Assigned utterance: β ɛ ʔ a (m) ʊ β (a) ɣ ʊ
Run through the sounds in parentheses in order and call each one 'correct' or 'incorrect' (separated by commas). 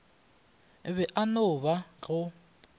incorrect, correct